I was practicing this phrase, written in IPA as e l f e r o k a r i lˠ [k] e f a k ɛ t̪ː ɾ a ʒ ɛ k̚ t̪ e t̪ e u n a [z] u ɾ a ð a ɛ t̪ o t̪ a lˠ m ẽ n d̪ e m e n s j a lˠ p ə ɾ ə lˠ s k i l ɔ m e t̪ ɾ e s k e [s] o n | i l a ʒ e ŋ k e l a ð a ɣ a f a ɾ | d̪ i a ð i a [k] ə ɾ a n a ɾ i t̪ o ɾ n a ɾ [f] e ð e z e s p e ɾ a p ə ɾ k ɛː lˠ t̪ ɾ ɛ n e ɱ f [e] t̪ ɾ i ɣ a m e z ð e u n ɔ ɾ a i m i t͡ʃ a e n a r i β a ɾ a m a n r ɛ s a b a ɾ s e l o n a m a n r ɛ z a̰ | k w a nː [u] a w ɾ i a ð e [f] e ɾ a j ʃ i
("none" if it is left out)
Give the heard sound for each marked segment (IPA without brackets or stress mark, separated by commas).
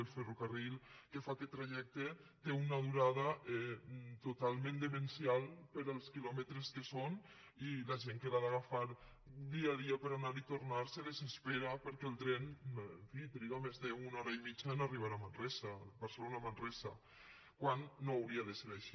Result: k, ð, s, p, s, i, o, s